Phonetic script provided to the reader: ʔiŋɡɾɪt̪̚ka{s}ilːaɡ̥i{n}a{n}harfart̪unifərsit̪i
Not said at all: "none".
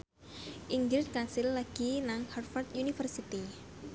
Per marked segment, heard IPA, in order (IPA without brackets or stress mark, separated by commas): s, n, ŋ